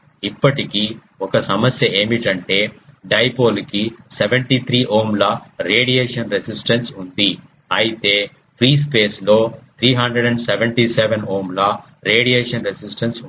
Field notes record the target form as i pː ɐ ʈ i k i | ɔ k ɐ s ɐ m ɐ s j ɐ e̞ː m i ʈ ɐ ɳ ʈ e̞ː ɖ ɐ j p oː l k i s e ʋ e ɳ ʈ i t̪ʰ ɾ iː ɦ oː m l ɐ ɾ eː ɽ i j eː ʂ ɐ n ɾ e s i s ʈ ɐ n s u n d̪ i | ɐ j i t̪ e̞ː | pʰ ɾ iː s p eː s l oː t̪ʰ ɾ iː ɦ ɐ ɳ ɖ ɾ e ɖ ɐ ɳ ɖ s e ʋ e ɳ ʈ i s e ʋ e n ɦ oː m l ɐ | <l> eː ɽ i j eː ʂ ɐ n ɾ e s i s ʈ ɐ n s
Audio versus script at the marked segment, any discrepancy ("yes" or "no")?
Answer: yes